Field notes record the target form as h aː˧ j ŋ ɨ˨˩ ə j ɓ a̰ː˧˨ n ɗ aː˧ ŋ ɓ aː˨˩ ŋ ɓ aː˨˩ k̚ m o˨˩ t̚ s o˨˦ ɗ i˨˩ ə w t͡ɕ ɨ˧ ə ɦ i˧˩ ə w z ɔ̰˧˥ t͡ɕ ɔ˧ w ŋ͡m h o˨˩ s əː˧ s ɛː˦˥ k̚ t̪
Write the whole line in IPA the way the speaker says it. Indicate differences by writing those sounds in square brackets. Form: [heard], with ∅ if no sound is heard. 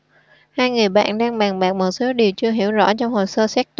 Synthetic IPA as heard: h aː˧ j ŋ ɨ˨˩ ə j ɓ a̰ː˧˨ n ɗ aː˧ ŋ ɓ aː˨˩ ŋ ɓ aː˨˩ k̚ m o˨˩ t̚ s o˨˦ ɗ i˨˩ ə w t͡ɕ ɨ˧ ə ɦ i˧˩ ə w z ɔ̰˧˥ t͡ɕ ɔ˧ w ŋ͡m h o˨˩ s əː˧ s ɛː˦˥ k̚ t̪